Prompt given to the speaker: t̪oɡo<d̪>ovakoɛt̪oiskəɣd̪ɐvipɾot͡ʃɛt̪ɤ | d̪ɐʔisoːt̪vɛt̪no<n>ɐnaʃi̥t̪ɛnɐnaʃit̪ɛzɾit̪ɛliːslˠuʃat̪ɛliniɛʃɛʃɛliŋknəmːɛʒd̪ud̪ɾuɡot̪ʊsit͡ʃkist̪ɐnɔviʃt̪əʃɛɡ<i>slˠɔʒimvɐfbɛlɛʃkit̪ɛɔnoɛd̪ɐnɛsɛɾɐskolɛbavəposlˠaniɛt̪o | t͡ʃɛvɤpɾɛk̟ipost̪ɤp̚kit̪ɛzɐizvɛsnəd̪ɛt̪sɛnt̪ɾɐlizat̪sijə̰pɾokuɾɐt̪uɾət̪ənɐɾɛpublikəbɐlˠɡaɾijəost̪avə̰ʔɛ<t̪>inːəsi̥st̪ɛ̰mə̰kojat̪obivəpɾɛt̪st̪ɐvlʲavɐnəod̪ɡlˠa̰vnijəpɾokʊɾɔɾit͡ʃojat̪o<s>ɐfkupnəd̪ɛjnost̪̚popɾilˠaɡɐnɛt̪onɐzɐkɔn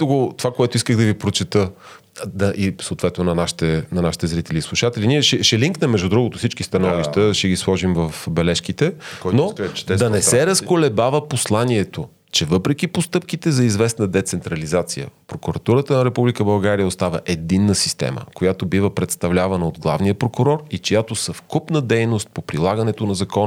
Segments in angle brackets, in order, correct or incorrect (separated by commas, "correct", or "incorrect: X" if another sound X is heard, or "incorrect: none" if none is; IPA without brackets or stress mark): incorrect: t̪, correct, correct, incorrect: d̪, correct